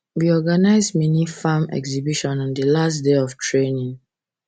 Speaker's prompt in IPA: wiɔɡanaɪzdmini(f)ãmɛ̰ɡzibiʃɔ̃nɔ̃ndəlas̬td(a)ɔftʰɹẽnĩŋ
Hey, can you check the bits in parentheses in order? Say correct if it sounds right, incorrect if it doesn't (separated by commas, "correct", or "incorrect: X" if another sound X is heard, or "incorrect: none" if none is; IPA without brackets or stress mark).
correct, incorrect: e